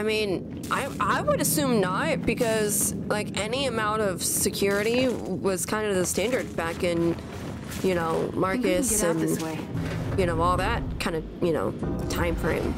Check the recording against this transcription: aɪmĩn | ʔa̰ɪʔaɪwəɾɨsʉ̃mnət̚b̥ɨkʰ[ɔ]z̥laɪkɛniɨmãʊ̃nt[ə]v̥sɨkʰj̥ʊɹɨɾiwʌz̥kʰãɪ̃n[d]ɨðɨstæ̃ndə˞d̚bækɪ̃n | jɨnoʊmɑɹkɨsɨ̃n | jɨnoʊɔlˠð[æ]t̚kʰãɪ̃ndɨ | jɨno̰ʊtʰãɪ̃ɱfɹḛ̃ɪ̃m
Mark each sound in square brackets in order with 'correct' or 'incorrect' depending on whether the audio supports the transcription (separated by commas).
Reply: incorrect, incorrect, correct, correct